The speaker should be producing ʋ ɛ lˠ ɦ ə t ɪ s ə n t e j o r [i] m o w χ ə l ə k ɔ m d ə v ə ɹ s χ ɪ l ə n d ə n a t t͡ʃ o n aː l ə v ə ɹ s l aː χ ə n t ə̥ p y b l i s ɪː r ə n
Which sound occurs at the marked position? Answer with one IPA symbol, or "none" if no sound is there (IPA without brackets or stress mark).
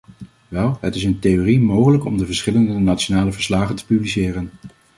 i